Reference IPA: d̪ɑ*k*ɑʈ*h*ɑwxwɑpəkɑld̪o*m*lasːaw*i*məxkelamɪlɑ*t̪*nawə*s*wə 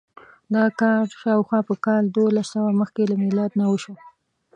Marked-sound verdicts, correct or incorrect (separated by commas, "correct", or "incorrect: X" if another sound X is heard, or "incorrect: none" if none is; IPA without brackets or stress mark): correct, incorrect: ʃ, incorrect: none, incorrect: a, incorrect: d̪, incorrect: ʃ